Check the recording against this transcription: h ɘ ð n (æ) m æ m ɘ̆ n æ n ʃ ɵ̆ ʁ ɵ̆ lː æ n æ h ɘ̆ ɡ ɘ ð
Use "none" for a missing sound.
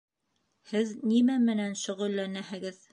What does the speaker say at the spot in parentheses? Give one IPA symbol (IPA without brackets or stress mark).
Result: i